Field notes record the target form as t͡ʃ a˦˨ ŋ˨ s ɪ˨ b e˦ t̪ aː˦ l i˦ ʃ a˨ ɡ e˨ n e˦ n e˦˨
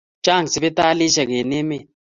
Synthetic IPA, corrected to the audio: t͡ʃ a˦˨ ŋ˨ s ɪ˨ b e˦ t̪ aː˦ l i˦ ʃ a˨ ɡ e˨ n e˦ m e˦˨